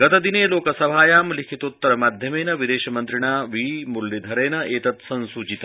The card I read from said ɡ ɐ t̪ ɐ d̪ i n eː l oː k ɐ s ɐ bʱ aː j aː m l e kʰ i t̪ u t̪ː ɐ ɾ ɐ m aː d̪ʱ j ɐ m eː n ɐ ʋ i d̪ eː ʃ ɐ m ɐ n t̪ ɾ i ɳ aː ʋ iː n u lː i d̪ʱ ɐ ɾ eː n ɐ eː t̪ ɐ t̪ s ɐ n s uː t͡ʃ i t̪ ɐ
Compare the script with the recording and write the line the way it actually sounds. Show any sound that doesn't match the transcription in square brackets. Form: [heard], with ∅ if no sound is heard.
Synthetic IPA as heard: ɡ ɐ t̪ ɐ d̪ i n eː l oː k ɐ s ɐ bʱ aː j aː m l [i] kʰ i t̪ u t̪ː ɐ ɾ ɐ m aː d̪ʱ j ɐ m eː n ɐ ʋ i d̪ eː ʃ ɐ m ɐ n t̪ ɾ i ɳ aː ʋ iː [m] u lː i d̪ʱ ɐ ɾ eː n ɐ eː t̪ ɐ t̪ s ɐ n s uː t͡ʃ i t̪ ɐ